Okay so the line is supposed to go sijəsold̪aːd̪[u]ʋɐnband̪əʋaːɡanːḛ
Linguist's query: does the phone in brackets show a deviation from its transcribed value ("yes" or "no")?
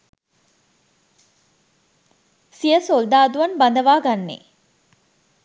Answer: no